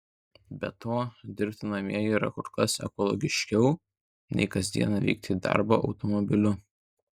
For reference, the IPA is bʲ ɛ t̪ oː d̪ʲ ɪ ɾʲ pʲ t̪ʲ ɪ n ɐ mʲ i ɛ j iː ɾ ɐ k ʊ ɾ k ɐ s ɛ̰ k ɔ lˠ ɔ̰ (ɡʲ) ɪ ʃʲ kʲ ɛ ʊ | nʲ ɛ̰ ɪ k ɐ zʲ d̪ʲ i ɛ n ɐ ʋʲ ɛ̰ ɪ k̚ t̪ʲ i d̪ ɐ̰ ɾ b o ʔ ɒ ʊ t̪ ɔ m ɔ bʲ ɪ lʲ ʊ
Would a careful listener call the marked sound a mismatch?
no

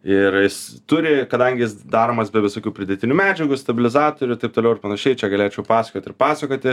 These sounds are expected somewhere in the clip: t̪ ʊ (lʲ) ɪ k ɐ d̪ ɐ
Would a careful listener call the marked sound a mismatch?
yes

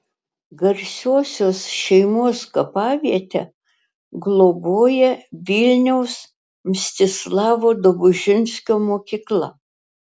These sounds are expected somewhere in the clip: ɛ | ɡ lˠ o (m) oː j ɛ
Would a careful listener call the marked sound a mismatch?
yes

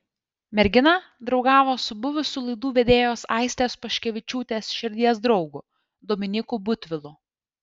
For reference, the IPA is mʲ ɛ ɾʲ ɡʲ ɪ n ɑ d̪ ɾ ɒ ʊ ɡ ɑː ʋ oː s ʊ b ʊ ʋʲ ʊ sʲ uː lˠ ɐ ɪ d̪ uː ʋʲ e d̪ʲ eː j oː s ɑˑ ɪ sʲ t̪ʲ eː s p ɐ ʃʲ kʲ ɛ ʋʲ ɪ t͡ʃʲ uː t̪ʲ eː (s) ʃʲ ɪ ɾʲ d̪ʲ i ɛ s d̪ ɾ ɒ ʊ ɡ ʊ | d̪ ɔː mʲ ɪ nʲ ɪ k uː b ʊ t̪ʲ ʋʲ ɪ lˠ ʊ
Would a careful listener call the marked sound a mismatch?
no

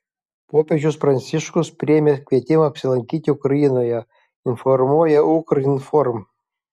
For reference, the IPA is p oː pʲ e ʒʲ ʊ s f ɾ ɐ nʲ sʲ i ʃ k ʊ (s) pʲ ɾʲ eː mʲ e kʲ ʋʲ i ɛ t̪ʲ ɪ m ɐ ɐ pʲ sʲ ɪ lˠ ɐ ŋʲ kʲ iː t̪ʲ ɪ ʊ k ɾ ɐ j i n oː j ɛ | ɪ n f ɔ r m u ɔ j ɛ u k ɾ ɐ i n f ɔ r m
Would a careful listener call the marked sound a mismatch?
no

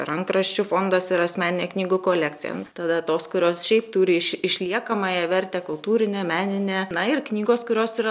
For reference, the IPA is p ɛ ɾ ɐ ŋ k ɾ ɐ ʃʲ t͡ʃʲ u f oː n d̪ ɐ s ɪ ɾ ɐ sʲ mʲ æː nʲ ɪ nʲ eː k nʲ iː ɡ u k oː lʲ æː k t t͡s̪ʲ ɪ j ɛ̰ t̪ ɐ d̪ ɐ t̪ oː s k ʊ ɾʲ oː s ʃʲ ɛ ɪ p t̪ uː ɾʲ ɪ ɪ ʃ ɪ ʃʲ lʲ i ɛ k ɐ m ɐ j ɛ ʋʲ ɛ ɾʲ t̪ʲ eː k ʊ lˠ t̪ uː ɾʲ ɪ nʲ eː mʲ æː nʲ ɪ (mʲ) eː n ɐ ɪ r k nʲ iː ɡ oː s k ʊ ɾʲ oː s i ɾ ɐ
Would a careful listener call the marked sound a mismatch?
yes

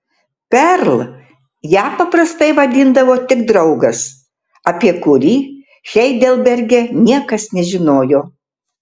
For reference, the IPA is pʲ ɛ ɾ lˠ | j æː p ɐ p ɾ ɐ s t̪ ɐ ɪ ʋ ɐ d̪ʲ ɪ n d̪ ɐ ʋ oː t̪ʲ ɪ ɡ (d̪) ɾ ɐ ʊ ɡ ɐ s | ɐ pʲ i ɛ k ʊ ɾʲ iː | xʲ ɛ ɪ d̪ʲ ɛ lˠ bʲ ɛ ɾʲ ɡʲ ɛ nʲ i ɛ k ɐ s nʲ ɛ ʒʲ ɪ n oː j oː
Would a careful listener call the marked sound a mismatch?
no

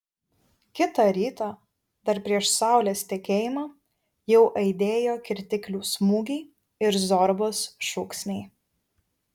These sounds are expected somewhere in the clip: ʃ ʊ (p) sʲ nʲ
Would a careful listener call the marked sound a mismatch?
yes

